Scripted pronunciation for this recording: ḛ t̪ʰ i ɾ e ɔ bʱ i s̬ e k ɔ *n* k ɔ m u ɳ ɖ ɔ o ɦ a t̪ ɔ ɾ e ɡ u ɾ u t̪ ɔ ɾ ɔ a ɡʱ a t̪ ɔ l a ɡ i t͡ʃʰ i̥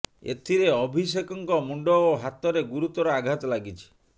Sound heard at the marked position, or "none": ŋ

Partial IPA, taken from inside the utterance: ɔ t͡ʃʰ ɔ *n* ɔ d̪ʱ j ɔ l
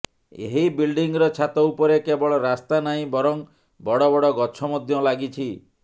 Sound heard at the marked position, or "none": m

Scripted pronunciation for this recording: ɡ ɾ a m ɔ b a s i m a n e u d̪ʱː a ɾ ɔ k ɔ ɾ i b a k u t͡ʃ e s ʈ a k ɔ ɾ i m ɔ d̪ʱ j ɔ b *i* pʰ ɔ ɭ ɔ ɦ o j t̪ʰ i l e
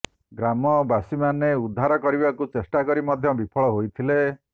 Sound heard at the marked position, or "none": i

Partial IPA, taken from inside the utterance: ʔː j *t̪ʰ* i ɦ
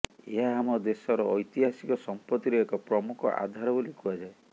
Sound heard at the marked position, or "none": t̪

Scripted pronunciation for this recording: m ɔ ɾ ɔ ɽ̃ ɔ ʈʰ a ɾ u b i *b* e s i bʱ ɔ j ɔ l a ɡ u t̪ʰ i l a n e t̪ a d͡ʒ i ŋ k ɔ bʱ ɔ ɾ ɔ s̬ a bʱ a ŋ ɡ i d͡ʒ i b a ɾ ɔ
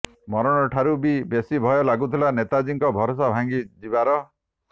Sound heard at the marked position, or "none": b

